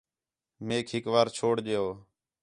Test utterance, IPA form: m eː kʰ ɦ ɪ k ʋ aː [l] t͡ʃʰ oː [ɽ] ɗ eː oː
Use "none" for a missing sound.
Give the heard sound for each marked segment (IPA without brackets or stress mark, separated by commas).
ɾ, ɽ